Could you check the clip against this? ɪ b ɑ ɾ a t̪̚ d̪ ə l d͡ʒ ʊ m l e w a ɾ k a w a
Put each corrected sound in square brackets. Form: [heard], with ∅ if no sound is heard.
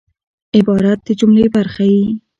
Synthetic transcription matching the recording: ɪ b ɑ ɾ a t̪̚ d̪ ə [∅] d͡ʒ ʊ m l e [b] a ɾ [x] a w [i]